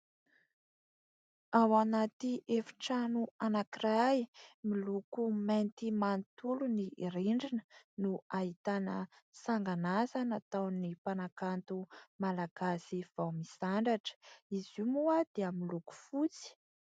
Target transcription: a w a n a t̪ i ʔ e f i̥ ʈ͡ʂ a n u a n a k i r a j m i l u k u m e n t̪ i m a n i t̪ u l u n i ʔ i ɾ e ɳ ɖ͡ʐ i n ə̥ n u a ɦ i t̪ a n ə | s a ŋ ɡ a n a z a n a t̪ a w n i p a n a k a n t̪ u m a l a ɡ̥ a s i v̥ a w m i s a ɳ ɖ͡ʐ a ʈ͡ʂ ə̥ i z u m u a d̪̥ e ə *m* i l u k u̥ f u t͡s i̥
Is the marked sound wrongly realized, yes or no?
no